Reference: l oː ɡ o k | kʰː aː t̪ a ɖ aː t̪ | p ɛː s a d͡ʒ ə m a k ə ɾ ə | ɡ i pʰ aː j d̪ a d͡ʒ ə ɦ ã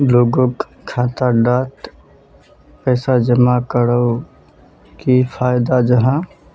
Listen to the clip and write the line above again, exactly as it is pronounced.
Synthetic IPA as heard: l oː ɡ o k | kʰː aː t̪ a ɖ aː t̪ | p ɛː s a d͡ʒ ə m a k ə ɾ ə | k i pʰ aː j d̪ a d͡ʒ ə ɦ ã